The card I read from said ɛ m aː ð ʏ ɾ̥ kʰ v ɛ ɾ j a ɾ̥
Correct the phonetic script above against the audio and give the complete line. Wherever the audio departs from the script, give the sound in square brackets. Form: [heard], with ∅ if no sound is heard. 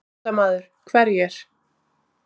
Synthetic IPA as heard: [a] m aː ð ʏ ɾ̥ kʰ v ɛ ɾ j [ɛ] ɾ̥

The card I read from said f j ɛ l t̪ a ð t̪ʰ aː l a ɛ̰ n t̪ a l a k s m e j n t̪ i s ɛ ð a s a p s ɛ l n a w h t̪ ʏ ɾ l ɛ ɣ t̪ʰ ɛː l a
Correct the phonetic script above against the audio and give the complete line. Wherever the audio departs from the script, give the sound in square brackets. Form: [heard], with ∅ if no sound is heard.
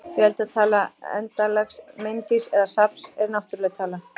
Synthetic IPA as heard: f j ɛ l t̪ a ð t̪ʰ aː l a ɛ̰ n t̪ a l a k s m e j n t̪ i s ɛ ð a s a p s ɛ [ɾ] n a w h t̪ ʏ ɾ l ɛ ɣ t̪ʰ [aː] l a

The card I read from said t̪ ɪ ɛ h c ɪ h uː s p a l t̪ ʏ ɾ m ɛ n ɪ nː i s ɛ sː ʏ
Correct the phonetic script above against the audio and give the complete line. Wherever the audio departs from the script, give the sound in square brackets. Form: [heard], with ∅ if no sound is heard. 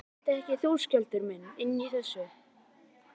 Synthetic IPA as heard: t̪ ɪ ɛ h c ɪ [θ] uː s [c] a l t̪ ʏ ɾ m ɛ n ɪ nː i [θ] ɛ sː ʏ

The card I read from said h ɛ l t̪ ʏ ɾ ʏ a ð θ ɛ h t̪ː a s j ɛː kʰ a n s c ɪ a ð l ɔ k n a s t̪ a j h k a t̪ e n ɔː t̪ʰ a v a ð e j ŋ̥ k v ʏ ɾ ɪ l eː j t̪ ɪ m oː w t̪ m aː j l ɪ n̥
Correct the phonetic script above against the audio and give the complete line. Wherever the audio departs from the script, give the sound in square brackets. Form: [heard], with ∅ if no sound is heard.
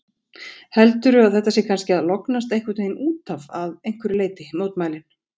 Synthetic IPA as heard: h ɛ l t̪ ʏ ɾ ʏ a ð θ ɛ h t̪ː a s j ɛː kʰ a n s c ɪ a ð l ɔ k n a s t̪ [e] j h k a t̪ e n [uː] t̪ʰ a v a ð e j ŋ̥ k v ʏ ɾ ɪ l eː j t̪ ɪ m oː w t̪ m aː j l ɪ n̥

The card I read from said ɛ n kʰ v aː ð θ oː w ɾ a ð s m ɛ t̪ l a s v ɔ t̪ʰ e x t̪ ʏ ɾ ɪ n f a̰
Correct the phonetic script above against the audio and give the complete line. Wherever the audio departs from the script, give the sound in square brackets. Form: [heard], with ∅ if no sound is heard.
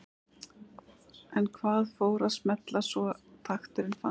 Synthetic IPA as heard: ɛ n kʰ v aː ð [f] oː w ɾ a ð s m ɛ t̪ l a s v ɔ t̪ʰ [a] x t̪ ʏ ɾ ɪ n f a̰

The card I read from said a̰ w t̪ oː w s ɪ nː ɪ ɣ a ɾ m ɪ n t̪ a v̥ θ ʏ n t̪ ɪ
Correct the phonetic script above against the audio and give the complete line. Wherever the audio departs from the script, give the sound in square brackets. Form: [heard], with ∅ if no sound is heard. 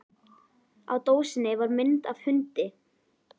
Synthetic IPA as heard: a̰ w t̪ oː w s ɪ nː ɪ [v] a ɾ m ɪ n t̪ a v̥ [h] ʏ n t̪ ɪ

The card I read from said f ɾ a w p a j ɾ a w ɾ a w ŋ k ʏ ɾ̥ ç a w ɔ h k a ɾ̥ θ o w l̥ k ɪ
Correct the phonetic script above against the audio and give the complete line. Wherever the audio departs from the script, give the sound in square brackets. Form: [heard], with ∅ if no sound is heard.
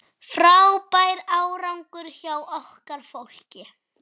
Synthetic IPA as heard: f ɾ a w p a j ɾ a w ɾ a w ŋ k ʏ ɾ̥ ç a w ɔ h k a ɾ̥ [f] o w l̥ [c] ɪ

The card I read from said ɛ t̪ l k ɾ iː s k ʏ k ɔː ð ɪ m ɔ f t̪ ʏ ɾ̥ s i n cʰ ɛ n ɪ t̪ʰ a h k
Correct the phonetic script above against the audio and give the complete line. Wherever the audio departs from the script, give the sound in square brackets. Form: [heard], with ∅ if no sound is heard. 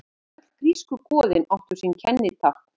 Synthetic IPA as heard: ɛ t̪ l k ɾ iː s k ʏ k ɔː ð ɪ [n] ɔ [h] t̪ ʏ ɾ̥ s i n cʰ ɛ [nː] ɪ t̪ʰ a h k

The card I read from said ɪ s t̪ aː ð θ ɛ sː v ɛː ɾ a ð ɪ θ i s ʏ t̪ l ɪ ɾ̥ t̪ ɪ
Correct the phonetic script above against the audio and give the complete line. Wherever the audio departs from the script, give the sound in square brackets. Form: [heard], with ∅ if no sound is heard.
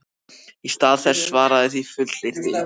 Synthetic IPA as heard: [i] s t̪ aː ð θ ɛ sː v [aː] ɾ a ð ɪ θ i [f] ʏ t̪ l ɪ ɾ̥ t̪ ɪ

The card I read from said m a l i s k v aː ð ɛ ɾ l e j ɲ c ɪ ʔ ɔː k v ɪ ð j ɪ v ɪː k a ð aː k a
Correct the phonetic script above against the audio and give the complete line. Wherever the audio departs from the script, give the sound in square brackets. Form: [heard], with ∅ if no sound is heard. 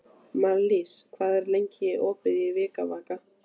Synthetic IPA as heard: m a l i s [kʰ] v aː ð ɛ ɾ l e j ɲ c ɪ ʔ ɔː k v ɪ ð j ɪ v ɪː k a [v] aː k a

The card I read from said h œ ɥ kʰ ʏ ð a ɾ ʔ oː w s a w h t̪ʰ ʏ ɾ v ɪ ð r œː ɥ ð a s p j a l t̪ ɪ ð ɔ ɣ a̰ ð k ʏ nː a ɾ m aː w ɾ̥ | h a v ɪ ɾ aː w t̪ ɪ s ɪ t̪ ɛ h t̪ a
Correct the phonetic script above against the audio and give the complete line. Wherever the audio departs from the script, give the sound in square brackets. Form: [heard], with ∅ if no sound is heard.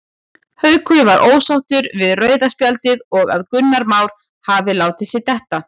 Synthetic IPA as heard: h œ ɥ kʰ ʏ [v] a ɾ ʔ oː w s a w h [t̪] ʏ ɾ v ɪ ð r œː ɥ ð a s p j a l t̪ ɪ ð ɔ ɣ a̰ ð k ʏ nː a ɾ m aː w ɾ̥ | h a v ɪ [l] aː w t̪ ɪ s ɪ t̪ ɛ h t̪ a

